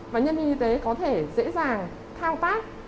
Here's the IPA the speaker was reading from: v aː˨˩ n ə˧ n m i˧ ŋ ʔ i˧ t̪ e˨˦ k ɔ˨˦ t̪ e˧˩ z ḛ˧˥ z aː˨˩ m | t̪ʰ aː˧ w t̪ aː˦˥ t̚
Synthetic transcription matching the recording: v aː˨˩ ɲ ə˧ n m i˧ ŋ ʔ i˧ t̪ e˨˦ k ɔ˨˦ t̪ʰ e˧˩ z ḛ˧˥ z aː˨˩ ŋ | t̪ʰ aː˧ w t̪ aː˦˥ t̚